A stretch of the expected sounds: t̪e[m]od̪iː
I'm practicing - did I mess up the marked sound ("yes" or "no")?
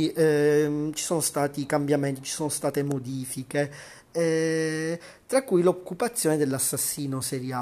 no